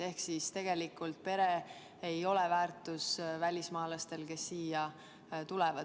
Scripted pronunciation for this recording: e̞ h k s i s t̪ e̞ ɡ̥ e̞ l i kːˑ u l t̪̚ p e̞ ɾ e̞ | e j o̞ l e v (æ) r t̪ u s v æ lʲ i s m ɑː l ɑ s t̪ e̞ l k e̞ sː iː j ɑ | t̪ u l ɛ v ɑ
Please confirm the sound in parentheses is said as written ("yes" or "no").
no